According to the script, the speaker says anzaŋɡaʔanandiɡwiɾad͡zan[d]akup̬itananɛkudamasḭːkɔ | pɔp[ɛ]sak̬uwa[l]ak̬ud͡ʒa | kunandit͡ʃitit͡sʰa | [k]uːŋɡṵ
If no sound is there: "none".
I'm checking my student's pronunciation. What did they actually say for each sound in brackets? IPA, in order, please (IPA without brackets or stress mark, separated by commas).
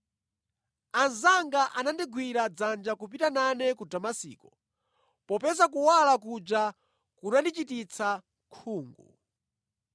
d͡ʒ, ɛ, l, kʰ